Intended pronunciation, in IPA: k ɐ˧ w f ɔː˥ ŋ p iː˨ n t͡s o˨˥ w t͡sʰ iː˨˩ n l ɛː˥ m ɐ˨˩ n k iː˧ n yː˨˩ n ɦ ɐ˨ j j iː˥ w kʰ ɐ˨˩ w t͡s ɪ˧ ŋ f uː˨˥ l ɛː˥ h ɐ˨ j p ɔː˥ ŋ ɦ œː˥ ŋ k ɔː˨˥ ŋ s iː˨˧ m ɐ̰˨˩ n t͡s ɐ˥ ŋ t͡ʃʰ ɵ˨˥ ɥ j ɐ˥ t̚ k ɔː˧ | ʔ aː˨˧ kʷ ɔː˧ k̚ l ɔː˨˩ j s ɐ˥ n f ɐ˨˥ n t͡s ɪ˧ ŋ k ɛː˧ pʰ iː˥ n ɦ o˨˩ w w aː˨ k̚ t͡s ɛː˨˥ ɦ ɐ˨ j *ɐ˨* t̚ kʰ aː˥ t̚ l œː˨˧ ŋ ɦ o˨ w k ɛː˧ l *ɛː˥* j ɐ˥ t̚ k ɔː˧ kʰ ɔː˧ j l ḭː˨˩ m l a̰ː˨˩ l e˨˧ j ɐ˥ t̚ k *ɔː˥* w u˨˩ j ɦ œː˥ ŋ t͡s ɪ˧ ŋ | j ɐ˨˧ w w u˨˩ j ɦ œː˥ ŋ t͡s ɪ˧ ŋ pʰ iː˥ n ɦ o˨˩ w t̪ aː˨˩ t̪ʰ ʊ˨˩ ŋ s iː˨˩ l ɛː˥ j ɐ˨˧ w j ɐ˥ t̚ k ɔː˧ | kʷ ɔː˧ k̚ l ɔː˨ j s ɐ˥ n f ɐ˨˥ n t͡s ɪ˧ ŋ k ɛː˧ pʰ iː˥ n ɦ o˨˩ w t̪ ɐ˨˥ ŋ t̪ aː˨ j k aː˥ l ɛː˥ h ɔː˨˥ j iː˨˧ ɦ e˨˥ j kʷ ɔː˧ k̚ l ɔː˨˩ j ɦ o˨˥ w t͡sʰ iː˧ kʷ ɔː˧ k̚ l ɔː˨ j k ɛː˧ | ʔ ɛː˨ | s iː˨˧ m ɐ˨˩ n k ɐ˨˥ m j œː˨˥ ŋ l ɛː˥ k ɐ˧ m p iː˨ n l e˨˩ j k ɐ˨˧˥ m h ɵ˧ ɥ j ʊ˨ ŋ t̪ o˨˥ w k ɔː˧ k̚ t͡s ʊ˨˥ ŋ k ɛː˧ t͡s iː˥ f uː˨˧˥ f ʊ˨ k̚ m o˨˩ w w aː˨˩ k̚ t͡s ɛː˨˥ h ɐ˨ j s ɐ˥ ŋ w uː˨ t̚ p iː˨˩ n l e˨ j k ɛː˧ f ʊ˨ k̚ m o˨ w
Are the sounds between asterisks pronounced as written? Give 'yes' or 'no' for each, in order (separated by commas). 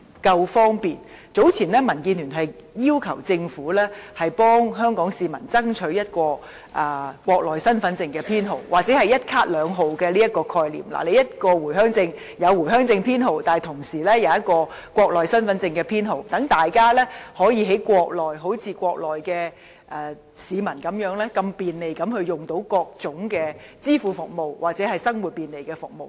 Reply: no, no, no